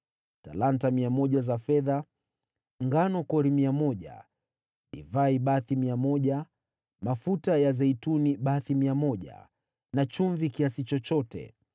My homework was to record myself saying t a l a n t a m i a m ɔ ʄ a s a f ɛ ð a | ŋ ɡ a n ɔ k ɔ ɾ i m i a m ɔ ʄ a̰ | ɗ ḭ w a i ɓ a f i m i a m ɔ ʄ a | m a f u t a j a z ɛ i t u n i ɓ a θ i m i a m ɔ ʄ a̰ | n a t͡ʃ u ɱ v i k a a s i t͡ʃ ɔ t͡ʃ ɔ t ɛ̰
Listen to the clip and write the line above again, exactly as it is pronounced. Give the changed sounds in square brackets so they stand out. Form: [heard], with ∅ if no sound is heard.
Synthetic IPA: t a l a n t a m i a m ɔ ʄ a [z] a f ɛ ð a | ŋ ɡ a n ɔ k ɔ ɾ i m i a m ɔ ʄ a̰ | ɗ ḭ [v] a i ɓ a [θ] i m i a m ɔ ʄ a | m a f u t a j a z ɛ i t u n i ɓ a θ i m i a m ɔ ʄ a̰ | n a t͡ʃ u ɱ v i k [i] a s i t͡ʃ ɔ t͡ʃ ɔ t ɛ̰